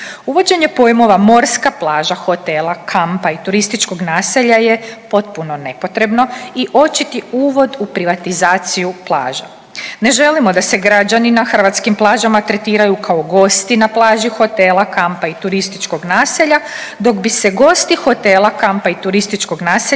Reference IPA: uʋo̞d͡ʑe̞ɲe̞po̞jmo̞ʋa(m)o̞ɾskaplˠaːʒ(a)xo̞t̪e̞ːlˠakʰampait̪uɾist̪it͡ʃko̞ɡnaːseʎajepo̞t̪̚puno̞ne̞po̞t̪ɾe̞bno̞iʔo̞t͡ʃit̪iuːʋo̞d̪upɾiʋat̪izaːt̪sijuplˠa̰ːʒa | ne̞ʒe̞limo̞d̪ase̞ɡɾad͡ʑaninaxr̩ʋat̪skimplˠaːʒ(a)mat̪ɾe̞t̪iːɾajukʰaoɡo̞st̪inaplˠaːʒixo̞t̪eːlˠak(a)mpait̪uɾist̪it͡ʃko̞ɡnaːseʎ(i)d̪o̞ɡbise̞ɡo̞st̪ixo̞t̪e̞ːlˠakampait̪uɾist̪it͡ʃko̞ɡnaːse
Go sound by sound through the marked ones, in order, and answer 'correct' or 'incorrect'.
correct, correct, correct, correct, incorrect

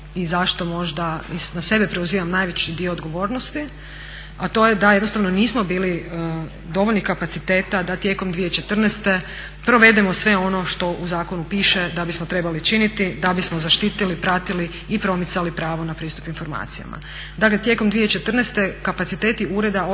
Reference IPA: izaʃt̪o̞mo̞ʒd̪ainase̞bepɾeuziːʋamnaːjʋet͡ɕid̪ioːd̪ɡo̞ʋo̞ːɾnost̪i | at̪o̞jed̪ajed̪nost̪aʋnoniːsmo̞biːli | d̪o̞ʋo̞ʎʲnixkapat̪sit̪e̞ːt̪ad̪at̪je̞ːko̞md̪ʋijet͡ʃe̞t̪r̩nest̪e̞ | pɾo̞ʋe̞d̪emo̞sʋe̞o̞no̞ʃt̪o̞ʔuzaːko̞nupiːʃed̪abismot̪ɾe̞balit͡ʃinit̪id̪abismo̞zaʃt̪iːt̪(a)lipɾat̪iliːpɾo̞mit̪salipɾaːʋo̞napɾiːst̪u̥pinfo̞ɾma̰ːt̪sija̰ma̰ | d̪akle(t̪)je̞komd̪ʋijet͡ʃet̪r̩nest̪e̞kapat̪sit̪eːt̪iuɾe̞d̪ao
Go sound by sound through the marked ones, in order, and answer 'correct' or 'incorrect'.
incorrect, correct

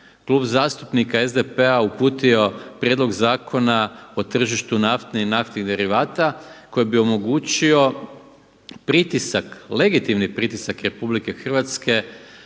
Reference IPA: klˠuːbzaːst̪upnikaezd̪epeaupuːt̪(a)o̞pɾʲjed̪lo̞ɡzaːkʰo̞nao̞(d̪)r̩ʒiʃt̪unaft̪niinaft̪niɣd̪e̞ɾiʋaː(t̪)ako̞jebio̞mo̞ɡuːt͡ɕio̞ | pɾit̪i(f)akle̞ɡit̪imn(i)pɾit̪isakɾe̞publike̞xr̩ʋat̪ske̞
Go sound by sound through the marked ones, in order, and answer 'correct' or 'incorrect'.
incorrect, incorrect, correct, incorrect, correct

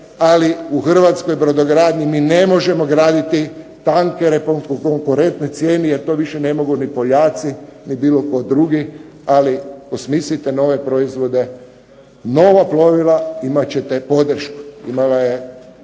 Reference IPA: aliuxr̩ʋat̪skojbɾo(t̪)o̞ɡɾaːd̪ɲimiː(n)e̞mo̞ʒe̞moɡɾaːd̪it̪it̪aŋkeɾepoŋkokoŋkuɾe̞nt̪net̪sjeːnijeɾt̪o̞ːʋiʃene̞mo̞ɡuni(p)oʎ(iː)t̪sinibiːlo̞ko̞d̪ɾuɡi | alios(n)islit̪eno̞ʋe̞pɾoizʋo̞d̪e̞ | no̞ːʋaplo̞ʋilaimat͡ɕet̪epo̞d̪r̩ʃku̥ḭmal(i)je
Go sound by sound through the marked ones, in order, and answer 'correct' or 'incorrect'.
incorrect, correct, correct, incorrect, incorrect, incorrect

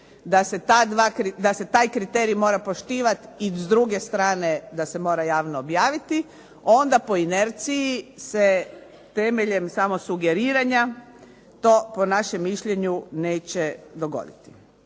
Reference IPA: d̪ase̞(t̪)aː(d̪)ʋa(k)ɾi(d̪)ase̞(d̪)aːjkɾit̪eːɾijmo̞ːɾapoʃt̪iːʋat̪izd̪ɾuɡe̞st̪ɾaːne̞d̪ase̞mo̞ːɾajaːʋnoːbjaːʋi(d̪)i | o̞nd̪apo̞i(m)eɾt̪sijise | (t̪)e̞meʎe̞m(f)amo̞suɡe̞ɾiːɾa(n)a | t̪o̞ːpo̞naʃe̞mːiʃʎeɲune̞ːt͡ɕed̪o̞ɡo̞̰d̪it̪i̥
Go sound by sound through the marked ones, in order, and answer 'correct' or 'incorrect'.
correct, correct, correct, correct, incorrect, incorrect, incorrect, correct, incorrect, incorrect

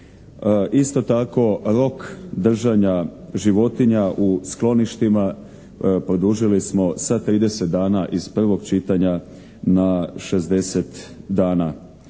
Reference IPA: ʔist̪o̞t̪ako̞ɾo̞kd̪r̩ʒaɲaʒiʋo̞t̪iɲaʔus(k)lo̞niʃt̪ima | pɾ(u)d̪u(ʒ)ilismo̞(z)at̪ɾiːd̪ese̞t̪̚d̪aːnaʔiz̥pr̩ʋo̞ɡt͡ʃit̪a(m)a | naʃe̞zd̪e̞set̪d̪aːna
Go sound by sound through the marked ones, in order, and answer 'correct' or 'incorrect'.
correct, incorrect, correct, incorrect, incorrect

